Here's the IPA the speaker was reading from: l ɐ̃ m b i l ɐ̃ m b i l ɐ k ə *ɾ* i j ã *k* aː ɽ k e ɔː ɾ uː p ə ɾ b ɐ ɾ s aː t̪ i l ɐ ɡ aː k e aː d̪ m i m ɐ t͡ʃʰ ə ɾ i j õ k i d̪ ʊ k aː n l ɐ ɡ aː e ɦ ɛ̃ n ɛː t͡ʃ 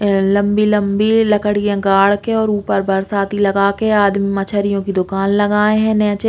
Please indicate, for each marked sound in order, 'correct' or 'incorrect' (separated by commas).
incorrect, incorrect